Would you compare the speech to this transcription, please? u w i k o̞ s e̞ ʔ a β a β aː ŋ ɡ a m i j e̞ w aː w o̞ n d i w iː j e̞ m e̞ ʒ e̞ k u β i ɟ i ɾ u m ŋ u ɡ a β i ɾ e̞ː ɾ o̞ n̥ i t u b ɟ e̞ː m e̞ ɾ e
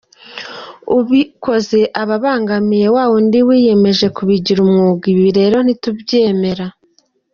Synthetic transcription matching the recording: u β i k o̞ z e̞ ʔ a β a β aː ŋ ɡ a m i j e̞ w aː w o̞ n d i w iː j e̞ m e̞ ʒ e̞ k u β i ɟ i ɾ u m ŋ u ɡ i β i ɾ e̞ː ɾ o̞ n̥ i t u b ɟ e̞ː m e̞ ɾ a